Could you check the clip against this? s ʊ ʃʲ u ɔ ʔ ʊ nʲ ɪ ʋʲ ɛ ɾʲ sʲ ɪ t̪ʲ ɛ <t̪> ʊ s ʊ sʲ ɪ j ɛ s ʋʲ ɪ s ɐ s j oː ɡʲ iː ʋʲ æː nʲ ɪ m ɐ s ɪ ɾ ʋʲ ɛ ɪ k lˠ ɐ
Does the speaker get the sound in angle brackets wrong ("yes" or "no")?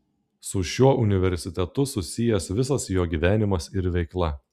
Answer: no